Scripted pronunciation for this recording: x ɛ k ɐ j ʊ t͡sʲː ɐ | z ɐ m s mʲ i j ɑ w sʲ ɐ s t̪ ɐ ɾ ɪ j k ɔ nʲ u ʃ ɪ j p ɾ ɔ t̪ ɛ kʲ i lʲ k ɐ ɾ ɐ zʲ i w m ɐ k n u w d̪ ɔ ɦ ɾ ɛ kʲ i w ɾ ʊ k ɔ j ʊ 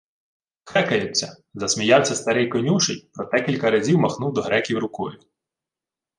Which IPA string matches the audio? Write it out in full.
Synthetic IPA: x ɛ k ɐ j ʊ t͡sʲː ɐ | z ɐ s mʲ i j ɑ w sʲ ɐ s t̪ ɐ ɾ ɪ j k ɔ nʲ u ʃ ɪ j p ɾ ɔ t̪ ɛ kʲ i lʲ k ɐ ɾ ɐ zʲ i w m ɐ x n u w d̪ ɔ ɦ ɾ ɛ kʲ i w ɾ ʊ k ɔ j ʊ